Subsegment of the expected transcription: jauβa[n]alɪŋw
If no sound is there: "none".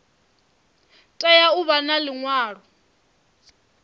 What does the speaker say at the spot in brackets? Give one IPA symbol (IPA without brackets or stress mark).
n